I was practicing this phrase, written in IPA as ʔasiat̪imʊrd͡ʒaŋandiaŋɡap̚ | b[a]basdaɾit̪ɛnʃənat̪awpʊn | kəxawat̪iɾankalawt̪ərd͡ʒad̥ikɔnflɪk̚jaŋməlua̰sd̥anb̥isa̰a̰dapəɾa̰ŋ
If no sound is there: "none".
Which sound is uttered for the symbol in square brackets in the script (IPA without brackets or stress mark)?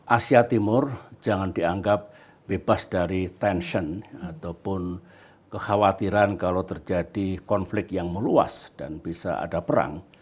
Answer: e